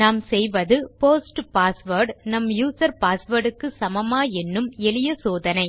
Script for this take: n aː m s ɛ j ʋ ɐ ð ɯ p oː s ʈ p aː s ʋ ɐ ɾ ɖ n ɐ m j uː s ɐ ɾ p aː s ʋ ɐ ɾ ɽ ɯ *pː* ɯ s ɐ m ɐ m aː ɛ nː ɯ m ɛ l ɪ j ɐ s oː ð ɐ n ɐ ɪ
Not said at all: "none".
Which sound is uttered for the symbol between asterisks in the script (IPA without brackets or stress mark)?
kː